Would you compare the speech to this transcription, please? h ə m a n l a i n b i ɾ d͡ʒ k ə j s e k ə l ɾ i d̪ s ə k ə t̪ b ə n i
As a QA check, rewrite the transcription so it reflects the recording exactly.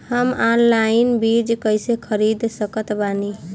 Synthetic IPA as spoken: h ə m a n l a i n b i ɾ d͡ʒ k ə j s e kʰ ə ɾ i d̪ s ə k ə t̪ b a n i